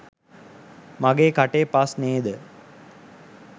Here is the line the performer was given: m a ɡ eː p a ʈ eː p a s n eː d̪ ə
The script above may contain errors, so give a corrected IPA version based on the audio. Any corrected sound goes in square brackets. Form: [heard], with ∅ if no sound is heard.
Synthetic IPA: m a ɡ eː [k] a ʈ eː p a s n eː d̪ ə